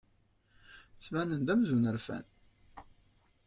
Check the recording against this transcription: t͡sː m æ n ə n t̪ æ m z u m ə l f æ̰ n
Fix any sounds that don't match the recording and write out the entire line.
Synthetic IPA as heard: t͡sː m æ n ə n d̪ æ m z u n ə ɾ f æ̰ n